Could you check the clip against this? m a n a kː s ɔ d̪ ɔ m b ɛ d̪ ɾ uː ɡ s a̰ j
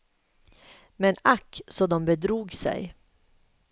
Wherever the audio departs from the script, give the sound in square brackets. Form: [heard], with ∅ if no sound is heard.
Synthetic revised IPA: m [ɛ] n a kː s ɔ d̪ ɔ m b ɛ d̪ ɾ uː ɡ s [ɛ̰] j